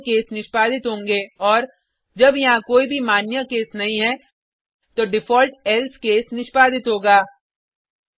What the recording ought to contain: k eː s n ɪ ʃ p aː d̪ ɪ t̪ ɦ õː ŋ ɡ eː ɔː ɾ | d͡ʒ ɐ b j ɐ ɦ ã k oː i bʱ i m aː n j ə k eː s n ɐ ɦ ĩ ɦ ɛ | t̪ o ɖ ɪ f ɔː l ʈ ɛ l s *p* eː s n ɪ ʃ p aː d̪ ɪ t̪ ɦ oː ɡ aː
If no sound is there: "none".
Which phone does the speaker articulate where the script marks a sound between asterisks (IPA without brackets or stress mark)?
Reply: k